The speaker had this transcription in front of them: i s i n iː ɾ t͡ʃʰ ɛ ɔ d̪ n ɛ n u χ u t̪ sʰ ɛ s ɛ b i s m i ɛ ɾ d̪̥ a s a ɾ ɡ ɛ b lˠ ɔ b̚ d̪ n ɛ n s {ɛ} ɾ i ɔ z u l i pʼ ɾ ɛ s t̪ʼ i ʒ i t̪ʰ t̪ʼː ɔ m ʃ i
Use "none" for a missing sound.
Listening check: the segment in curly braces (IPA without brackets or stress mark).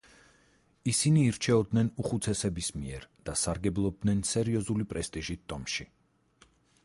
ɛ